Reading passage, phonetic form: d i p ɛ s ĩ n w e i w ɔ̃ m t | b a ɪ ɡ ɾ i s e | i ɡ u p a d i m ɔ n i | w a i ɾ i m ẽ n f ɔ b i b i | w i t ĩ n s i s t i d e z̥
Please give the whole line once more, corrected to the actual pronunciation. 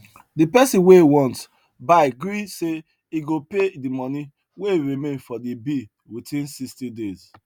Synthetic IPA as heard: d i p ɛ s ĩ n w e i w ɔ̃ n t | b a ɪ ɡ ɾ i s e | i ɡ o p e d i m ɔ n i | w e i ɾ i m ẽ n f ɔ d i b i | w i t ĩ n s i s t i d e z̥